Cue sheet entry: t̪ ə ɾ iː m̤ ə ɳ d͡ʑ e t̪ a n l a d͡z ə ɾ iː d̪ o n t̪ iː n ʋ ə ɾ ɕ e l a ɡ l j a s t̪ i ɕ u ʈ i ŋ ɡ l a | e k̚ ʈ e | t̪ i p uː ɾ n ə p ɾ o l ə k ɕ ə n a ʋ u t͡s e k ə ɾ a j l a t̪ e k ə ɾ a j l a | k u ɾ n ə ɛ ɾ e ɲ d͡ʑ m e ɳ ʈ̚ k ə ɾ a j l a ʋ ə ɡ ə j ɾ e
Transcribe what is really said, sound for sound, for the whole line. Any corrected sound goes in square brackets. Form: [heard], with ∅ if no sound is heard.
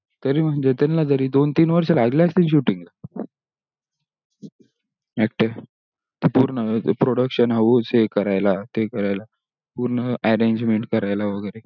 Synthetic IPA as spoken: t̪ ə ɾ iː m̤ ə ɳ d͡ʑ e t̪ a n l a d͡z ə ɾ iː d̪ o n t̪ iː n ʋ ə ɾ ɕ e l a ɡ l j a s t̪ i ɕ u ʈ i ŋ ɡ l a | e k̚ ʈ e | t̪ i p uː ɾ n ə p ɾ o [ɽ] ə k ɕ ə n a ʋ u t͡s e k ə ɾ a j l a t̪ e k ə ɾ a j l a | [p] u ɾ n ə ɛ ɾ e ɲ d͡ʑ m e ɳ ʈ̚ k ə ɾ a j l a ʋ ə ɡ ə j ɾ e